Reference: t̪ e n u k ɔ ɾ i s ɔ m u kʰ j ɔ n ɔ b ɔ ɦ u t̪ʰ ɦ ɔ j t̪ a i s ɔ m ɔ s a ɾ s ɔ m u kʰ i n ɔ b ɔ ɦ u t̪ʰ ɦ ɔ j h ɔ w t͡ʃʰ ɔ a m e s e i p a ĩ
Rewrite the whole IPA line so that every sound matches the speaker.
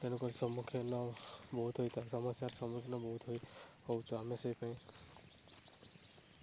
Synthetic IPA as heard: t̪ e n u k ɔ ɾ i s ɔ m u kʰ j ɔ n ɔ b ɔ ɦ u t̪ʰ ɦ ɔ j t̪ a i s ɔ m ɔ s a ɾ s ɔ m u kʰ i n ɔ b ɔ ɦ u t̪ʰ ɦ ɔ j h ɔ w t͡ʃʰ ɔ a m e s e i p a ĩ